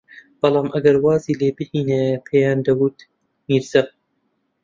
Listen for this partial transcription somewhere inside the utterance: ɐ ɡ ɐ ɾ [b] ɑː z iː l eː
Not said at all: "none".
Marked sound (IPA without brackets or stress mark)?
w